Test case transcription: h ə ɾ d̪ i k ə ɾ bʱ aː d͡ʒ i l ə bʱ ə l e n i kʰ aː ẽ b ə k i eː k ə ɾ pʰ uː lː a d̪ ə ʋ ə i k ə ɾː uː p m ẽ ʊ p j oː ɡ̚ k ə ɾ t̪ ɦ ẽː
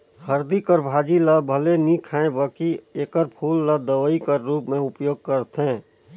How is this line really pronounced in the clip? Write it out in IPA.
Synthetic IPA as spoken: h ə ɾ d̪ i k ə ɾ bʱ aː d͡ʒ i l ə bʱ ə l e n i kʰ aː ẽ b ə k i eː k ə ɾ pʰ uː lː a d̪ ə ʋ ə i k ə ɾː uː p m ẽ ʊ p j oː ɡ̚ k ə ɾ t̪ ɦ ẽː